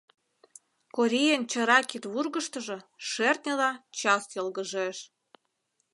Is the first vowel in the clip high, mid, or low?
mid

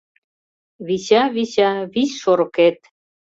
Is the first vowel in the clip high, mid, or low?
high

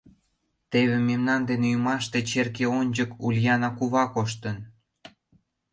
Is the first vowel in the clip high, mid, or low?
mid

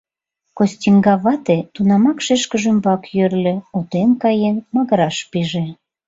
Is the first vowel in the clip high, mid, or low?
mid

